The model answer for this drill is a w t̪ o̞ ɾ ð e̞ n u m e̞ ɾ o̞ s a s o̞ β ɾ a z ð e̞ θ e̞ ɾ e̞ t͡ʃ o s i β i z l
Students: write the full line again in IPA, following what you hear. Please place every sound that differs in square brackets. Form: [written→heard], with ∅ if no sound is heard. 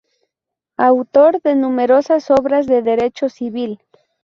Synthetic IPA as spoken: a w t̪ o̞ ɾ ð e̞ n u m e̞ ɾ o̞ s a s o̞ β ɾ a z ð e̞ [θ→ð] e̞ ɾ e̞ t͡ʃ o s i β i [z→∅] l